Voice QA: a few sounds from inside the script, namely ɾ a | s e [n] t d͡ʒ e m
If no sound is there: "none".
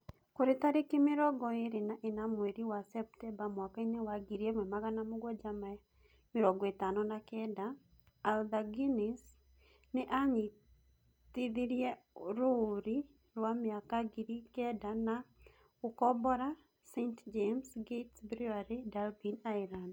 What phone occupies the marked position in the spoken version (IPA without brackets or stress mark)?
n